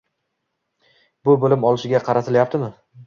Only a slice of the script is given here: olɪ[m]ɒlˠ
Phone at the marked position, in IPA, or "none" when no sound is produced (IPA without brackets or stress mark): m